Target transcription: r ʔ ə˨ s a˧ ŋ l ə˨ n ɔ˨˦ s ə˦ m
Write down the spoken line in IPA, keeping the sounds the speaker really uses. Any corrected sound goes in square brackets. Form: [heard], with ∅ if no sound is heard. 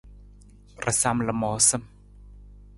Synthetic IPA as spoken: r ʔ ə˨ s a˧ [m] l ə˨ [m] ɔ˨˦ s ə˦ m